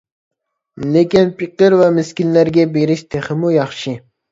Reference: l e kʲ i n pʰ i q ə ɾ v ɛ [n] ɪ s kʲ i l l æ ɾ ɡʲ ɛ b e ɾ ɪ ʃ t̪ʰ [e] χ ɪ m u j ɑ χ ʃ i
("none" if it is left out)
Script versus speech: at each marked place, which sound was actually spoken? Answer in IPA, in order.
m, e

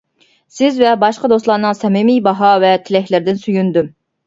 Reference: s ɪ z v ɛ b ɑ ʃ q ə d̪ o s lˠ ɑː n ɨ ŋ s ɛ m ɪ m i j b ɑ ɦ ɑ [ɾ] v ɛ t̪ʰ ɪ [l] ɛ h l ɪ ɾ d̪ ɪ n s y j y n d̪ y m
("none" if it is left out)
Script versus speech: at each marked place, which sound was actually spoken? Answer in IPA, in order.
none, l

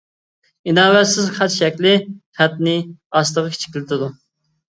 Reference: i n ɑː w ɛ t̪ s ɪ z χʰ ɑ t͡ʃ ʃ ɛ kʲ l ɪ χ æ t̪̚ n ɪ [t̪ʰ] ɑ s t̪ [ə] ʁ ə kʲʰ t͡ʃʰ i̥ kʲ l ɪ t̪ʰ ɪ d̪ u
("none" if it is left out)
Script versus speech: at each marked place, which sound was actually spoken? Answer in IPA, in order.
none, ə

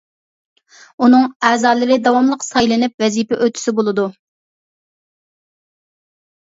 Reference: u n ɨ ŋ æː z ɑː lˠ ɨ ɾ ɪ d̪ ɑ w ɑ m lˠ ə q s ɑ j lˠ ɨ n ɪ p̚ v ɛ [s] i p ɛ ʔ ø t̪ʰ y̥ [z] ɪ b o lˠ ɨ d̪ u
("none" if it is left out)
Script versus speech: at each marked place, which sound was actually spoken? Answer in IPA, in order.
z, s

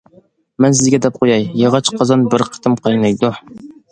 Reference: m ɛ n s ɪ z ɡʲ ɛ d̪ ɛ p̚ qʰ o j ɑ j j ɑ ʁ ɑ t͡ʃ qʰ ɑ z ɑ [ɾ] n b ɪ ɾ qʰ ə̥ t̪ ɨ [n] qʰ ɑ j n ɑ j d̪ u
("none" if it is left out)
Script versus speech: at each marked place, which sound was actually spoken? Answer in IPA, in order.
none, m

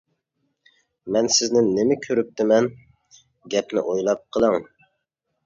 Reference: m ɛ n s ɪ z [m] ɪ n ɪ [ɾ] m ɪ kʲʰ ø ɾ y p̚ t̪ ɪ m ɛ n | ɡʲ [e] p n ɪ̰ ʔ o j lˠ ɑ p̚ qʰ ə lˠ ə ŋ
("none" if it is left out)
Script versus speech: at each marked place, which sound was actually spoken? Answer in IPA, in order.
n, none, ɛ

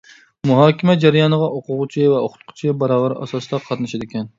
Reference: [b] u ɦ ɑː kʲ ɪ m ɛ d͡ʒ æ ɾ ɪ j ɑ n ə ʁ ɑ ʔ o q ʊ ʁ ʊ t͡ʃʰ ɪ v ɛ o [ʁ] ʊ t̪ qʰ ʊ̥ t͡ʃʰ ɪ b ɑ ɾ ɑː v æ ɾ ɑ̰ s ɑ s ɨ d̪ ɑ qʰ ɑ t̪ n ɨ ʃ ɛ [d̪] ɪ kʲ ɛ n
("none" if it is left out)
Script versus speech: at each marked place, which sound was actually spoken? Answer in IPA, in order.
m, χ, d̪

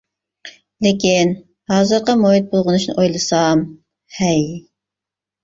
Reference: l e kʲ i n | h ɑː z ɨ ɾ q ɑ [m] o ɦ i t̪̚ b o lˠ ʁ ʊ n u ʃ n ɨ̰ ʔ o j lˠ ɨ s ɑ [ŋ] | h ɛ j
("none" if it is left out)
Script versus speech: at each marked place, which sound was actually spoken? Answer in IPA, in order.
m, m

